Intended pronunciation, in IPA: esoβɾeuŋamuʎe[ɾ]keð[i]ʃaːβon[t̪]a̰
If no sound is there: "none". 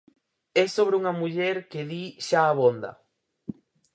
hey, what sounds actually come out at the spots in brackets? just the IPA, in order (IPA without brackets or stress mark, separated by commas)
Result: ɾ, i, d̪